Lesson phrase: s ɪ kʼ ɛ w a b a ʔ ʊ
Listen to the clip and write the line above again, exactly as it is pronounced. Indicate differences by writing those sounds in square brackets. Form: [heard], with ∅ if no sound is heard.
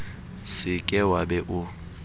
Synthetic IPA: s ɪ kʼ ɛ w a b [ɛ] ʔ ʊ